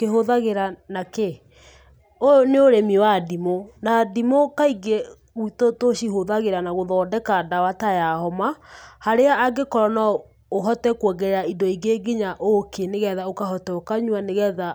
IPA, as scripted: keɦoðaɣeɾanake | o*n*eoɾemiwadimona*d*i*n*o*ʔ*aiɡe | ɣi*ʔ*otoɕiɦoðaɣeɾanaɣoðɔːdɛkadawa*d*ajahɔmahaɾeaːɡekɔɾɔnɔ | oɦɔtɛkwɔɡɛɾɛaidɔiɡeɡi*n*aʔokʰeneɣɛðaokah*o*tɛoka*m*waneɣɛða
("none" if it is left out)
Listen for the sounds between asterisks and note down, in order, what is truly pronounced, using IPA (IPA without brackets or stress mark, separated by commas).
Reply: n, d, m, k, t, t, ɲ, ɔ, ɲ